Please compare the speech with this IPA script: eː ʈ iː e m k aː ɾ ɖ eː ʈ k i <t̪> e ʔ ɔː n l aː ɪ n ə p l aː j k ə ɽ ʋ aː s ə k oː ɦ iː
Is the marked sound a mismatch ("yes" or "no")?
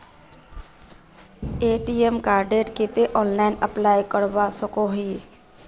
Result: no